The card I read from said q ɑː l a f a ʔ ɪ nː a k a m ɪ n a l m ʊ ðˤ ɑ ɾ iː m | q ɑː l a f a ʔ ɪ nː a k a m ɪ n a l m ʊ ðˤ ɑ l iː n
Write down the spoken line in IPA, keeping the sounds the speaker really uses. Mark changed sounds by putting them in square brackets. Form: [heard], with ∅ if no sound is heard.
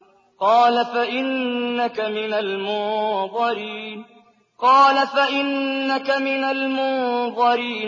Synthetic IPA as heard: q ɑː l a f a ʔ ɪ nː a k a m ɪ n a l m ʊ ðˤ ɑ ɾ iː [n] | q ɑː l a f a ʔ ɪ nː a k a m ɪ n a l m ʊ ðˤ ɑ [ɾ] iː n

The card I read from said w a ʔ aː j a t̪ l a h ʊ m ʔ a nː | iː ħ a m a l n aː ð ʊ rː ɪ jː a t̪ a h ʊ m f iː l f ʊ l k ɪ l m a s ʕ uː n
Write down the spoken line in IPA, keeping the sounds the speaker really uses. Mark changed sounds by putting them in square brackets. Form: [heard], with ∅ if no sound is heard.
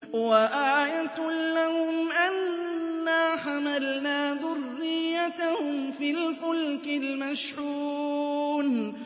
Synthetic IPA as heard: w a ʔ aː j a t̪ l a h ʊ m ʔ a nː | [aː] ħ a m a l n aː ð ʊ rː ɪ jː a t̪ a h ʊ m f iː l f ʊ l k ɪ l m a [ʃ] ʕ uː n

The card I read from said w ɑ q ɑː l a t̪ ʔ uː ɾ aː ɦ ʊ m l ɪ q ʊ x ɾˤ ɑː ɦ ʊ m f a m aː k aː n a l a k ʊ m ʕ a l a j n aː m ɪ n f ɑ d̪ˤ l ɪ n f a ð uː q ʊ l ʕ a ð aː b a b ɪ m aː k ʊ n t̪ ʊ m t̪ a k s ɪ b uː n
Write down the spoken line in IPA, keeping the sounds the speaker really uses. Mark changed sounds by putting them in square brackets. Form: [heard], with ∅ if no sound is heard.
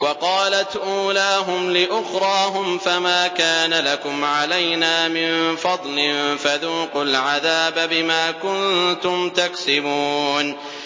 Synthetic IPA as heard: w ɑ q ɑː l a t̪ ʔ uː [l] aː ɦ ʊ m l ɪ [ʔ] ʊ x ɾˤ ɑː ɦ ʊ m f a m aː k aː n a l a k ʊ m ʕ a l a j n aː m ɪ n f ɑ d̪ˤ l ɪ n f a ð uː q ʊ l ʕ a ð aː b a b ɪ m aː k ʊ n t̪ ʊ m t̪ a k s ɪ b uː n

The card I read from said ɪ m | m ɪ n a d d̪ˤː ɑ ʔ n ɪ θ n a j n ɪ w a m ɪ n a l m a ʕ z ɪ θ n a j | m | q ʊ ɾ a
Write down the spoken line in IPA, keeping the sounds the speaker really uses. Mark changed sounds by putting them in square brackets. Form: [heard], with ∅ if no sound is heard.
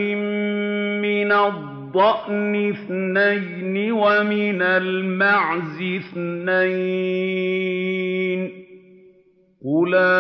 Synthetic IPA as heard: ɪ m | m ɪ n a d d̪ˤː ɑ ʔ n ɪ θ n a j n ɪ w a m ɪ n a l m a ʕ z ɪ θ n a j | [n] | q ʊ [l] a

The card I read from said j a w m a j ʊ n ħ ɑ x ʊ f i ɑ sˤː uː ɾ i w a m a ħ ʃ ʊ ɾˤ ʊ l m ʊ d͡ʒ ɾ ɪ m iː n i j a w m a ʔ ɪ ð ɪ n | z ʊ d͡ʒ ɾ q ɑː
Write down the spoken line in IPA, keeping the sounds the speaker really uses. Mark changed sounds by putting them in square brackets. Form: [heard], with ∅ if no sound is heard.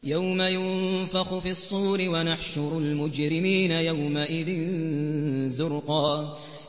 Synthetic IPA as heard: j a w m a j ʊ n [f] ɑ x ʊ f i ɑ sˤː uː ɾ [ɪ] w a [n] a ħ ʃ ʊ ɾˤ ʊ l m ʊ d͡ʒ ɾ ɪ m iː n [a] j a w m a ʔ ɪ ð ɪ n | z ʊ [∅] ɾ q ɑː

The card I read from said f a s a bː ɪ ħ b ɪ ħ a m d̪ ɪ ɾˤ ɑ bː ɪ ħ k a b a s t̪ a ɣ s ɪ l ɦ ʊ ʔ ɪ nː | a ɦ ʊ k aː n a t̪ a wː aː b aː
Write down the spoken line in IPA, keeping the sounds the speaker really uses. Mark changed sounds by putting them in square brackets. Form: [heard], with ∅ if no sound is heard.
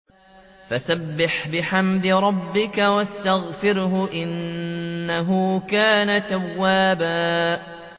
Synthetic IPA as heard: f a s a bː ɪ ħ b ɪ ħ a m d̪ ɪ ɾˤ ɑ bː ɪ [∅] k a [w] a s t̪ a ɣ [f] ɪ [ɾ] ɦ ʊ ʔ ɪ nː | a ɦ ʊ k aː n a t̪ a wː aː b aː

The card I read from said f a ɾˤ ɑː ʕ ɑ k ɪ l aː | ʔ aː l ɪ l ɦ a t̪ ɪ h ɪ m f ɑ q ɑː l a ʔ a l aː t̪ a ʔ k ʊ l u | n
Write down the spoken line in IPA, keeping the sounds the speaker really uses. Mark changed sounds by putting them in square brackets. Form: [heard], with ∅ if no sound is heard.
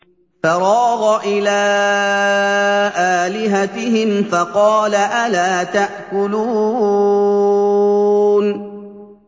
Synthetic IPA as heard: f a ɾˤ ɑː [ɣ] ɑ [ʔ] ɪ l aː | ʔ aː l ɪ [∅] ɦ a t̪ ɪ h ɪ m f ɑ q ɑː l a ʔ a l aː t̪ a ʔ k ʊ l [uː] | n

